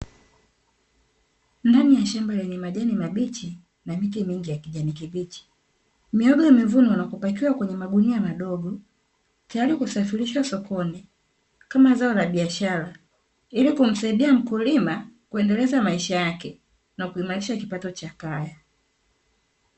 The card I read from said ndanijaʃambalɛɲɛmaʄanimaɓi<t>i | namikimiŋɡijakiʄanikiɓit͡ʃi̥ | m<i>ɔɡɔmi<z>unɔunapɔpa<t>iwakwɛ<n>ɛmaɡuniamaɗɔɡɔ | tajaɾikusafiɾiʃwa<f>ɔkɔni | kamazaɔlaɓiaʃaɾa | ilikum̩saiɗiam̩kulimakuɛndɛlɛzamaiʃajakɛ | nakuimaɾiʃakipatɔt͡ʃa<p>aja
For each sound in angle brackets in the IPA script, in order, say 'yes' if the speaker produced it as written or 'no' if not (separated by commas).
no, yes, no, no, no, no, no